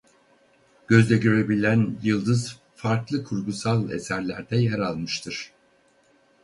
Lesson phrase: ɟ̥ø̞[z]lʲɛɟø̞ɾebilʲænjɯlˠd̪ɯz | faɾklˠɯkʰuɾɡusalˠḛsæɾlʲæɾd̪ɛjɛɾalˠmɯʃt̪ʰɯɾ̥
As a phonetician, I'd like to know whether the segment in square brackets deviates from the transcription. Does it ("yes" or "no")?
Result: no